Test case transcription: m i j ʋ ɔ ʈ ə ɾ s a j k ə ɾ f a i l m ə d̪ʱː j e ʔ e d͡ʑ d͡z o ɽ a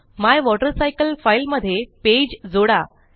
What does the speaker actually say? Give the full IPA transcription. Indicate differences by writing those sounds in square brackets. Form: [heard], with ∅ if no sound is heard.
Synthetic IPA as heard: m [a] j ʋ ɔ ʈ ə ɾ s a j k ə [l] f a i l m ə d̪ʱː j e [p] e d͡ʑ d͡z o ɽ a